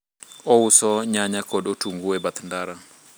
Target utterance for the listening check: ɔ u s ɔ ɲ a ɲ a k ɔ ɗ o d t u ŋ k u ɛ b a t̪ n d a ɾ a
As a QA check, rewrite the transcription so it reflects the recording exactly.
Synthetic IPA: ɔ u s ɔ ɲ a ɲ a k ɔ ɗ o t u ŋ ɡ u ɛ b a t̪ n d a ɾ a

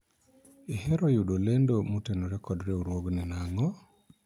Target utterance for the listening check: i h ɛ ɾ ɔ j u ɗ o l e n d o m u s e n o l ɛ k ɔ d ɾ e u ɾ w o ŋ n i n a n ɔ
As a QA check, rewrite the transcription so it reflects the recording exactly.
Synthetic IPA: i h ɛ ɾ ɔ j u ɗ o l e n d o m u t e n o ɾ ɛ k ɔ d ɾ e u ɾ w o ɡ n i n a ŋ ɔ

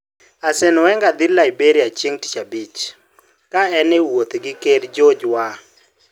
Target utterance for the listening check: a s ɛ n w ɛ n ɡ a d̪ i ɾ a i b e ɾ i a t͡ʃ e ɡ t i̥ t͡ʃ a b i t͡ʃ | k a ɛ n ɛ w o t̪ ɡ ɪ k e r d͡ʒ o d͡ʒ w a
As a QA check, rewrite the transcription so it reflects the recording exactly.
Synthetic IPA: a s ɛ n w ɛ ŋ ɡ a d̪ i l a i b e ɾ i a t͡ʃ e ŋ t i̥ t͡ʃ a b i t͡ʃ | k a ɛ n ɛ w o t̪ ɡ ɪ k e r d͡ʒ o d͡ʒ w a

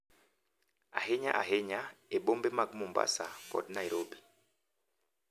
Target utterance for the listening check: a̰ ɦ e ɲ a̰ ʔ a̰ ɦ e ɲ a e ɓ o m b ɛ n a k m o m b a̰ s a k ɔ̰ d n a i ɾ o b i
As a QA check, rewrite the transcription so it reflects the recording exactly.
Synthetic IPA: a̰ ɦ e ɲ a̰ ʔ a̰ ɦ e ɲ a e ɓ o m b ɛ m a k m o m b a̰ s a k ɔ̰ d n a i ɾ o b i

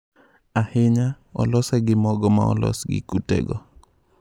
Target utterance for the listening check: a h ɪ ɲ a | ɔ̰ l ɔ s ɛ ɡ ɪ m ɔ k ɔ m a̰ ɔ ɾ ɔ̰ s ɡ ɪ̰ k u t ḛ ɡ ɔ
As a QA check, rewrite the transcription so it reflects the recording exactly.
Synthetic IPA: a h ɪ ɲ a | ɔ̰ l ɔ s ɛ ɡ ɪ m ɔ ɡ ɔ m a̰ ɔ l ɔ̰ s ɡ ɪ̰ k u t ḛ ɡ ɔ

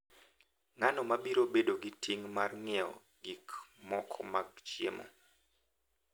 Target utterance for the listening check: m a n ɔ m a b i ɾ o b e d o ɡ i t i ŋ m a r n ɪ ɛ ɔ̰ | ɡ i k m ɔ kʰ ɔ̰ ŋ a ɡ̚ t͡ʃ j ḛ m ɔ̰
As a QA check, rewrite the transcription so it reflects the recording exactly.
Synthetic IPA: ŋ a n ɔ m a b i ɾ o b e d o ɡ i t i ŋ m a r ŋ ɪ ɛ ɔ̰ | ɡ i k m ɔ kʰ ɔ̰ m a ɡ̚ t͡ʃ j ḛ m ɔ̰

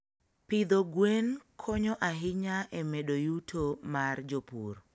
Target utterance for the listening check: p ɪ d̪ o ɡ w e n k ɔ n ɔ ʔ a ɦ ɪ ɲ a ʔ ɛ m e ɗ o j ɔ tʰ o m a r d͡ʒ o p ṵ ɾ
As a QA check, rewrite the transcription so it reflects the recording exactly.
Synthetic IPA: p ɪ d̪ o ɡ w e n kʰ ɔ ɲ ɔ ʔ a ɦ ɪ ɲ a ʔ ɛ m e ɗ o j u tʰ o m a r d͡ʒ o p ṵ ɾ

